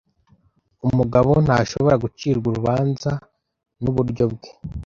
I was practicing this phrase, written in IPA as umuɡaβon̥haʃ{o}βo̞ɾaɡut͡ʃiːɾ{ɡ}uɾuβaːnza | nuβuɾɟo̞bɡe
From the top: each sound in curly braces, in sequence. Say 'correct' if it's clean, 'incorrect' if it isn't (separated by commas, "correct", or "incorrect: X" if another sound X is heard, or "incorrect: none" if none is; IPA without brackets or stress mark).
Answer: correct, correct